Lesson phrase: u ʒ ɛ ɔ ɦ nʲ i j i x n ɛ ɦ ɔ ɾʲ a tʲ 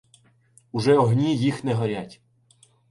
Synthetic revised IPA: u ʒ ɛ ɔ ɦ nʲ i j i x n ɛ ɦ ɔ ɾʲ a tʲ